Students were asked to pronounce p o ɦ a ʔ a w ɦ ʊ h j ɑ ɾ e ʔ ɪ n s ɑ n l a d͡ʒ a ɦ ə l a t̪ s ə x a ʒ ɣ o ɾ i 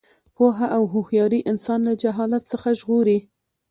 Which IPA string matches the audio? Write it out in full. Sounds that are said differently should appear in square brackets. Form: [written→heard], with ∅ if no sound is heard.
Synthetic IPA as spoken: p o ɦ a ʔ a w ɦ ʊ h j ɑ ɾ [e→i] ʔ ɪ n s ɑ n l a d͡ʒ a ɦ [ə→ɑ] l a t̪ s ə x a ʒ ɣ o ɾ i